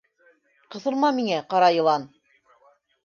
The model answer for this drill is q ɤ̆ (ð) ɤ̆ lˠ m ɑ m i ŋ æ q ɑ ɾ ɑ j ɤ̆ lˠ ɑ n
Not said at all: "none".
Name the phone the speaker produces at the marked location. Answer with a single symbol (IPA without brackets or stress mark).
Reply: θ